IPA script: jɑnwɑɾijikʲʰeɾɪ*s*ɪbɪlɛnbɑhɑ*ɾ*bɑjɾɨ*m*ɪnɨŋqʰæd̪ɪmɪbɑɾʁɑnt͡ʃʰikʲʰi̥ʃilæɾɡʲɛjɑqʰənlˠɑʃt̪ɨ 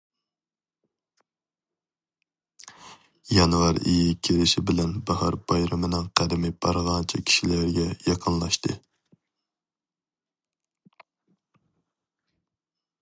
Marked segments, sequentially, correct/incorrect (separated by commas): incorrect, correct, correct